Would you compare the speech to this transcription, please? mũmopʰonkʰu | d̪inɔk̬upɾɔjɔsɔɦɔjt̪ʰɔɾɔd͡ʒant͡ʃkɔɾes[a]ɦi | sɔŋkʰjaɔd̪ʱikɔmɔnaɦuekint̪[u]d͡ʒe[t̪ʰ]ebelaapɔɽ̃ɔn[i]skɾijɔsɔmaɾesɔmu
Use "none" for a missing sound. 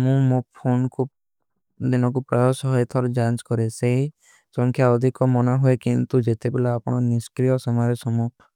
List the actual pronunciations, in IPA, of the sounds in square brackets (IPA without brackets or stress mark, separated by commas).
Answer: e, u, t̪, i